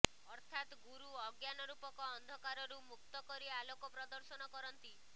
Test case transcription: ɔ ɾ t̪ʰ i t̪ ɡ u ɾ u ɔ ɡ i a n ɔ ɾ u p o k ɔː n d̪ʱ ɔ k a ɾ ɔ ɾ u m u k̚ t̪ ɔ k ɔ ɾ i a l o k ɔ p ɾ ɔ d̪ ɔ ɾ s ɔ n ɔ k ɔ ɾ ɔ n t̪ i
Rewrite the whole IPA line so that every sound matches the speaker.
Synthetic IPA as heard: ɔ ɾ t̪ʰ a t̪ ɡ u ɾ u ɔ ɡ j a n ɔ ɾ u p ɔ k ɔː n d̪ʱ ɔ k a ɾ ɔ ɾ u m u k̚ t̪ ɔ k ɔ ɾ i a l o k ɔ p ɾ ɔ d̪ ɔ ɾ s ɔ n ɔ k ɔ ɾ ɔ n t̪ i